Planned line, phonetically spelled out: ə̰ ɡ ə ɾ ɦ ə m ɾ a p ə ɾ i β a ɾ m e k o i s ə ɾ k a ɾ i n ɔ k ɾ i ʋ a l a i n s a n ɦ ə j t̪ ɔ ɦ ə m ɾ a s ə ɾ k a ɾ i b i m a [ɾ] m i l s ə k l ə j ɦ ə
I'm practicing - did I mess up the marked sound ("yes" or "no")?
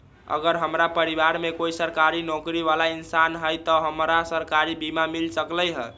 yes